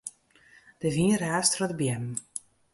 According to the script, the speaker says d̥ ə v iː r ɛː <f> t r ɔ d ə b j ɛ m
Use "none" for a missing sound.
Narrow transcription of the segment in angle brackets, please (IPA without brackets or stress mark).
s